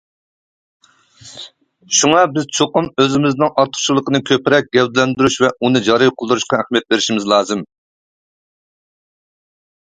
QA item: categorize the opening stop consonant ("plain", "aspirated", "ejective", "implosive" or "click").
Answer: plain